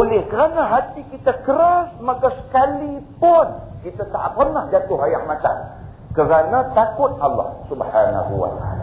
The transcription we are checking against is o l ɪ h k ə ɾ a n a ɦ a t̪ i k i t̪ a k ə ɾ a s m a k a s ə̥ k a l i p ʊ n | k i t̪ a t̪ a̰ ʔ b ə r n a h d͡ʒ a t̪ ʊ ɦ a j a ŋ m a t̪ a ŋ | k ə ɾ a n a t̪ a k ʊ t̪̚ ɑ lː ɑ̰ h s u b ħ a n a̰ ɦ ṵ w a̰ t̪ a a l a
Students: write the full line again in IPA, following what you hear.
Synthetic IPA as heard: o l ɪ h k ə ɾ a n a ɦ a t̪ i k i t̪ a k ə ɾ a s m a k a s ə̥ k a l i p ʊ n | k i t̪ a t̪ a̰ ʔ p ə r n a h d͡ʒ a t̪ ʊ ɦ a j a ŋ m a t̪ a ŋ | k ə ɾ a n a t̪ a k ʊ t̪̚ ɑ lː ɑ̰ h s u b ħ a n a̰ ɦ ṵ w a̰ t̪ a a l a